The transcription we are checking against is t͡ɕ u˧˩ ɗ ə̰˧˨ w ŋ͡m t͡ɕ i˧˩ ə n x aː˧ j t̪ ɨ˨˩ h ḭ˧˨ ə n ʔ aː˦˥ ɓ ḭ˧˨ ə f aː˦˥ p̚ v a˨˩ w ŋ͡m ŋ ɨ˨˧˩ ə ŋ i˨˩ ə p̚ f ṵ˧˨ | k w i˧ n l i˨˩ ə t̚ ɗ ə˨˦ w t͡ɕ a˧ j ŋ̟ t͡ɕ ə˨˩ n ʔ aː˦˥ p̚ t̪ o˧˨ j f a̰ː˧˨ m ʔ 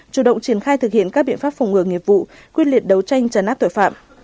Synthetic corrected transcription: t͡ɕ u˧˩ ɗ ə̰˧˨ w ŋ͡m t͡ɕ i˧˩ ə n x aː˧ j t̪ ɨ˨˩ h ḭ˧˨ ə n k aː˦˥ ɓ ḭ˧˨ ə f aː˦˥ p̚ f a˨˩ w ŋ͡m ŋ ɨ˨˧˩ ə ŋ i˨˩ ə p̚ v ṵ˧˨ | k w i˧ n l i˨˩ ə t̚ ɗ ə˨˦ w t͡ɕ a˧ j ŋ̟ t͡ɕ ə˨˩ n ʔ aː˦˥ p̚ t̪ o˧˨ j f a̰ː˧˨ m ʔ